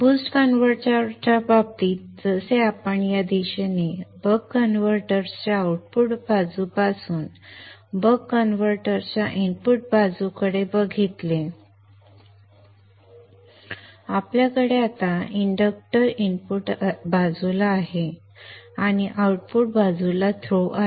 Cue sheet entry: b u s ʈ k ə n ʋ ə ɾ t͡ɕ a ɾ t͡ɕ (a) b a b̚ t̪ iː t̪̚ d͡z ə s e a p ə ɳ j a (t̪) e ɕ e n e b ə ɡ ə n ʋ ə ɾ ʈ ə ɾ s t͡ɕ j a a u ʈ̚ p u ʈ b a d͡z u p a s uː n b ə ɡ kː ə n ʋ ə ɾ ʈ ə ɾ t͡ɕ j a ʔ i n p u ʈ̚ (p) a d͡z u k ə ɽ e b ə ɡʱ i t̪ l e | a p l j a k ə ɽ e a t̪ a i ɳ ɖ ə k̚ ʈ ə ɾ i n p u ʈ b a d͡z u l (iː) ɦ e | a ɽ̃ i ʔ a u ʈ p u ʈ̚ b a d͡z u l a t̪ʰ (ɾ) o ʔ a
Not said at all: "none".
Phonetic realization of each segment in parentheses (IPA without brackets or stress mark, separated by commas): a, d̪, b, aː, ɾ